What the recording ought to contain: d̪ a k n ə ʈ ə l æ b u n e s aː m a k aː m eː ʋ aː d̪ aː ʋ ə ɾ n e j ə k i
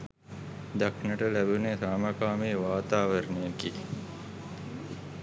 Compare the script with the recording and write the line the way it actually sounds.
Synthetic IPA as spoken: d̪ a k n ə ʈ ə l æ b u n e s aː m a k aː m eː ʋ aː t̪ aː ʋ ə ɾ n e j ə k i